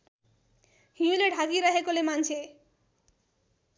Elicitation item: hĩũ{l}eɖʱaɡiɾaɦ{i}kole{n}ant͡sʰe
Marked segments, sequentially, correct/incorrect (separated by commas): correct, incorrect, incorrect